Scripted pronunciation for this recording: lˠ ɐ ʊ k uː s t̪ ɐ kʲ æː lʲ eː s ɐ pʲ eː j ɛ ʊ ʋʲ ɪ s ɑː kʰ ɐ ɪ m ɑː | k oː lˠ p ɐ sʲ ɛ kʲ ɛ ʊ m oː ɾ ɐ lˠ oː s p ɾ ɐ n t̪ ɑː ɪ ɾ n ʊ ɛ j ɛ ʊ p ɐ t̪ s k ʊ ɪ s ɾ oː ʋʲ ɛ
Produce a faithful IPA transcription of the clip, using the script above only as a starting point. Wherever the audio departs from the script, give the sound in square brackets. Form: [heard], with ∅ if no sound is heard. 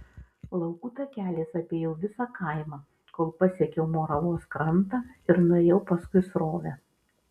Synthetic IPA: lˠ ɐ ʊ k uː [∅] t̪ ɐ kʲ æː lʲ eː s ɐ pʲ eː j ɛ ʊ ʋʲ ɪ s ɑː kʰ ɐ ɪ m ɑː | k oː lˠ p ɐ sʲ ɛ kʲ ɛ ʊ m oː ɾ ɐ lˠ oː s [k] ɾ ɐ n t̪ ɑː ɪ ɾ n ʊ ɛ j ɛ ʊ p ɐ [∅] s k ʊ ɪ s ɾ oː ʋʲ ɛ